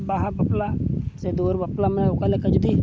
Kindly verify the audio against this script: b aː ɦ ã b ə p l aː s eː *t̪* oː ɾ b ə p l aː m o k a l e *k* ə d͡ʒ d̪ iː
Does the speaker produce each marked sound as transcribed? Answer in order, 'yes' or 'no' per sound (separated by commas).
no, yes